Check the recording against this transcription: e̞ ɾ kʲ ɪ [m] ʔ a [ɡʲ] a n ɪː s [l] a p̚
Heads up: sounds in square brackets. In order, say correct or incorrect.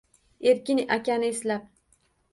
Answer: incorrect: n, incorrect: kʲ, correct

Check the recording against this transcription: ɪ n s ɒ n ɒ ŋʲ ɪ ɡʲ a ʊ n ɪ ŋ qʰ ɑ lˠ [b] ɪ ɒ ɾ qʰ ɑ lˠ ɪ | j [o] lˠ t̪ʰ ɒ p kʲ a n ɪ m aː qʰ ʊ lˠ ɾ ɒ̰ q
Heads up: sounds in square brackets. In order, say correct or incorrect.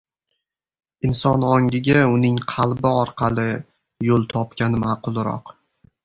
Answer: correct, correct

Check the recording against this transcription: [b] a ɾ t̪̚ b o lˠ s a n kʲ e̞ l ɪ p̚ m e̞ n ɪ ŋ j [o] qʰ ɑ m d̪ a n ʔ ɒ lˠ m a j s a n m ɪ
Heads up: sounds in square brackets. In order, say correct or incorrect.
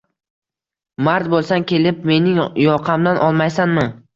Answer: incorrect: m, incorrect: ɒ

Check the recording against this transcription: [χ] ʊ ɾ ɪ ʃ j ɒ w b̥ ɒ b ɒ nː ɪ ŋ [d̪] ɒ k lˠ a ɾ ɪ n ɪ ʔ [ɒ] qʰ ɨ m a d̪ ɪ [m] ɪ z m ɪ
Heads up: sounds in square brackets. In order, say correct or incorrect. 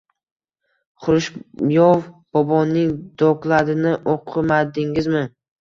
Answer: correct, correct, incorrect: o, incorrect: ŋ

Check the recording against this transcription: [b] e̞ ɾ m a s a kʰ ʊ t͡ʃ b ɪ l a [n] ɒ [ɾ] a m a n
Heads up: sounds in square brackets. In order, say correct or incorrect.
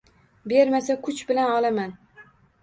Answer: correct, correct, incorrect: l

